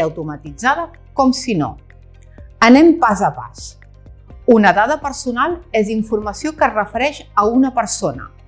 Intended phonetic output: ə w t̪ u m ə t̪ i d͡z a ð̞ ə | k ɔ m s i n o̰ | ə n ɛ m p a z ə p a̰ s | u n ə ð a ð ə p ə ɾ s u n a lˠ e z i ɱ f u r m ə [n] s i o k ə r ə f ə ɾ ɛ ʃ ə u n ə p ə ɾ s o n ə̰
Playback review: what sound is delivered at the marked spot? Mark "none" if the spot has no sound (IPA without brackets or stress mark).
none